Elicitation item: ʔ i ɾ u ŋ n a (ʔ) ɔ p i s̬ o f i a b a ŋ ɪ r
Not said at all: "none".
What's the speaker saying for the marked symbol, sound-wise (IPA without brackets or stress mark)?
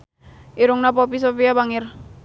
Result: p